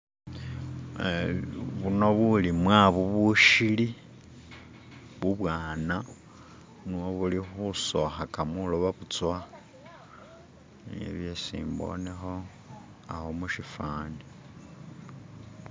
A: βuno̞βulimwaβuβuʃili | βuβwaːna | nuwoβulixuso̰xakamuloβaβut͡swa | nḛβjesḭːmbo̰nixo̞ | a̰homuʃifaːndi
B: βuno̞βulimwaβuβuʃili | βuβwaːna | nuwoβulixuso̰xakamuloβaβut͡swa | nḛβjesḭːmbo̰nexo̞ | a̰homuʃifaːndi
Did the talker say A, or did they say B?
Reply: B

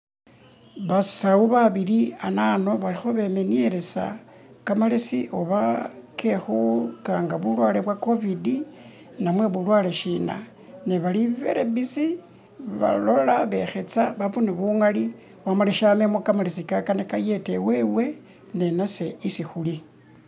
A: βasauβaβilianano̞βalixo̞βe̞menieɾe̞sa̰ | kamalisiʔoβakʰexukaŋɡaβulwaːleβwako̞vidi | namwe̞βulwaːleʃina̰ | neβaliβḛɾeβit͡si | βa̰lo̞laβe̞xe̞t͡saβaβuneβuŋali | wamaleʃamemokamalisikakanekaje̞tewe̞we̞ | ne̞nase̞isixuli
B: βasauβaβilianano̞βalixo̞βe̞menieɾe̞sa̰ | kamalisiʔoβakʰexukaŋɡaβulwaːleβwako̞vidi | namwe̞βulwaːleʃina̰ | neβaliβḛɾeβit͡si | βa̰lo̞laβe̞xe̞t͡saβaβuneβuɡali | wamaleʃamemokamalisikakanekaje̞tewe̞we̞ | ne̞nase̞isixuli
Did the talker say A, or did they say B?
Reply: A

